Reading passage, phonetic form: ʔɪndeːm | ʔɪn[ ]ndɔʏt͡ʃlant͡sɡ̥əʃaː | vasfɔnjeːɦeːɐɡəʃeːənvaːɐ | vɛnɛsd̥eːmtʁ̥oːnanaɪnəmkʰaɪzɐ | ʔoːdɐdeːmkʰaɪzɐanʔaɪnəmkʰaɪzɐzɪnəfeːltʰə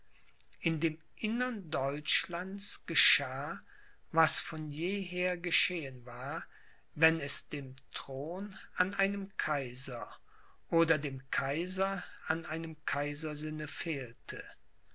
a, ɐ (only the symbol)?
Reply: ɐ